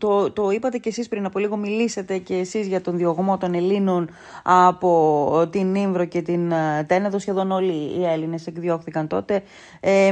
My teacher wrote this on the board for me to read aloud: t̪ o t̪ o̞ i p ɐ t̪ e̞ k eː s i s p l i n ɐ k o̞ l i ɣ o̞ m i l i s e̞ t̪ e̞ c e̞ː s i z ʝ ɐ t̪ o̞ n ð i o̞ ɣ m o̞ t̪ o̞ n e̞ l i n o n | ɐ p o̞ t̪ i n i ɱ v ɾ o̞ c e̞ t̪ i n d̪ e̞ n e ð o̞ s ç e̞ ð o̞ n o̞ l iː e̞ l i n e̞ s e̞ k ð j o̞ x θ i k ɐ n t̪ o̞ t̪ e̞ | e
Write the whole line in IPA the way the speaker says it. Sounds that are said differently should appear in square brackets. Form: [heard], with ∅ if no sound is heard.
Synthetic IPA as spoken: t̪ o t̪ o̞ i p ɐ t̪ e̞ [c] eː s i s p [ɾ] i n ɐ [p] o̞ l i ɣ o̞ m i l i s e̞ t̪ e̞ c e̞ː s i z ʝ ɐ t̪ o̞ n ð i o̞ ɣ m o̞ t̪ o̞ n e̞ l i n o n | ɐ p o̞ t̪ i n i ɱ v ɾ o̞ c e̞ t̪ i n [t̪] e̞ n e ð o̞ s ç e̞ ð o̞ n o̞ l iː e̞ l i n e̞ s e̞ k ð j o̞ x θ i k ɐ n t̪ o̞ t̪ e̞ | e